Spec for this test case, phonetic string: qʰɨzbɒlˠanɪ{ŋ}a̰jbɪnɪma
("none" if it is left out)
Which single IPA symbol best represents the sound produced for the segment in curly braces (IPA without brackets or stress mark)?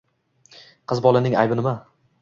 ŋ